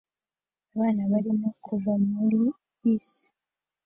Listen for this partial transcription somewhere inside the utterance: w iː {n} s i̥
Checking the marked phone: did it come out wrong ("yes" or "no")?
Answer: yes